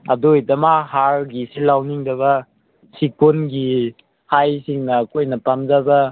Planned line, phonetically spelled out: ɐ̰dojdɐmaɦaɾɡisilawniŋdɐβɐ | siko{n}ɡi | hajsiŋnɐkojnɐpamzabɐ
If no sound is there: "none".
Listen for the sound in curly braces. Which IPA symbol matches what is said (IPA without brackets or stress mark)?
n